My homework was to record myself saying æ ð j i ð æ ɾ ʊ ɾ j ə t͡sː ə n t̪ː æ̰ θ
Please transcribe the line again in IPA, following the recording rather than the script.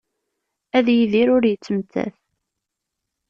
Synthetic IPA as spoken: æ ð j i ð i ɾ ʊ ɾ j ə t͡sː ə m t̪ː æ̰ θ